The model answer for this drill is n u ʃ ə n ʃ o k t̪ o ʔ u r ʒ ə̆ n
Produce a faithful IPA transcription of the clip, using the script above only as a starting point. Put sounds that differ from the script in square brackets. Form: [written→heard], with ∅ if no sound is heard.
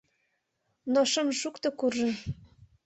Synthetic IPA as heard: n [u→o] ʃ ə [n→m] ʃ [o→u] k t̪ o [ʔ→k] u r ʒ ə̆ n